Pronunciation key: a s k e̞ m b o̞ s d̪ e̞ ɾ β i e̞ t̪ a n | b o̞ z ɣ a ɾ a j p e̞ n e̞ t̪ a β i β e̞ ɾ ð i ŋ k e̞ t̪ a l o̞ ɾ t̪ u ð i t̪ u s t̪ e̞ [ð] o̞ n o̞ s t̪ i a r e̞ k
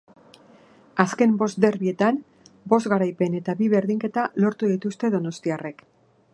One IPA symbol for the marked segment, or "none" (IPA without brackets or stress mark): ð